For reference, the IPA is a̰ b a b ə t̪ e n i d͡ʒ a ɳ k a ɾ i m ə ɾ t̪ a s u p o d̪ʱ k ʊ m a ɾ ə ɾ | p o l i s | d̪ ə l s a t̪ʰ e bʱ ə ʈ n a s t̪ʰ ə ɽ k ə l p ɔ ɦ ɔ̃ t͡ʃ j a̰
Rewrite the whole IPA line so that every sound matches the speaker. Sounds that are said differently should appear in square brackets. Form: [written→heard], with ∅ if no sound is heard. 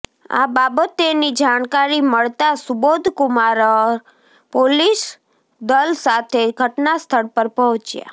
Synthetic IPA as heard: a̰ b a b ə t̪ e n i d͡ʒ a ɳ k a ɾ i m ə [ɾ→ɭ] t̪ a s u [p→b] o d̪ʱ k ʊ m a ɾ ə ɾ | p o l i s | d̪ ə l s a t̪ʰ e [bʱ→ɡʱ] ə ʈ n a s t̪ʰ ə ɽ [k→p] ə [l→ɾ] p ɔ ɦ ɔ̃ t͡ʃ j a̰